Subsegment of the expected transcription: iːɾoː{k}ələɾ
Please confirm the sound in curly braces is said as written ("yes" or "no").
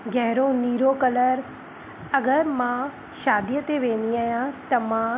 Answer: yes